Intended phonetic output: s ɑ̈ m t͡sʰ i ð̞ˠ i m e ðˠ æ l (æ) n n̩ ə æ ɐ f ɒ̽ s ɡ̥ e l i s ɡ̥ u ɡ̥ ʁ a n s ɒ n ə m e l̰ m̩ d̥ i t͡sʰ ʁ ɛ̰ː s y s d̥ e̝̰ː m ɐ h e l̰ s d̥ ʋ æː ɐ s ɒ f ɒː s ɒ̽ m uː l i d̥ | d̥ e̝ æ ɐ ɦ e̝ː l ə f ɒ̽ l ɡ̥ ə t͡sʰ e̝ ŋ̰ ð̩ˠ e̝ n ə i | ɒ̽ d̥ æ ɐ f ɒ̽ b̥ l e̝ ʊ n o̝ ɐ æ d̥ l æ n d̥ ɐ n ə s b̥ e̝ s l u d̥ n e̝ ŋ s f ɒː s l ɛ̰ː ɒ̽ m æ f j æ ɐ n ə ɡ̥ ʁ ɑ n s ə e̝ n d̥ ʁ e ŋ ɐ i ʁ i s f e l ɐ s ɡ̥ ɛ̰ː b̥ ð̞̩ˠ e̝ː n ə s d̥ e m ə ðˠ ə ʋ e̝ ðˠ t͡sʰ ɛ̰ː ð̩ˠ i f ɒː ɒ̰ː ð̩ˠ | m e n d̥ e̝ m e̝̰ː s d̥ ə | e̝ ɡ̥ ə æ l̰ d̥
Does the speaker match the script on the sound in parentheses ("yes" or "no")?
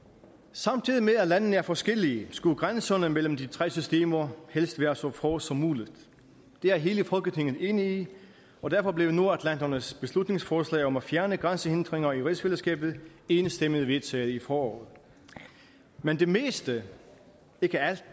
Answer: yes